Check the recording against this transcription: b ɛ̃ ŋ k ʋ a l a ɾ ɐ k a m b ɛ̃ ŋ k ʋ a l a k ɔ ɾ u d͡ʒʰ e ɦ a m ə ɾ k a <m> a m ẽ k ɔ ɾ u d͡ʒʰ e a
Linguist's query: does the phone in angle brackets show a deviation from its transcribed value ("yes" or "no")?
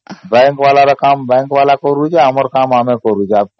no